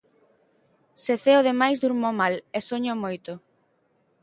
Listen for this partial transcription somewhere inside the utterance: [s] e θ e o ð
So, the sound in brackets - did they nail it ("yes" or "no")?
yes